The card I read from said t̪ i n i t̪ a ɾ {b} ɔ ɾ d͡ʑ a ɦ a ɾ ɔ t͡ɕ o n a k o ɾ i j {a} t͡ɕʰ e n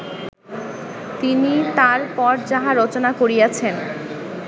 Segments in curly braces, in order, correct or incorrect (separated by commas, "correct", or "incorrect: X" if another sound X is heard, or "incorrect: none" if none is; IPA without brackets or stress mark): incorrect: p, correct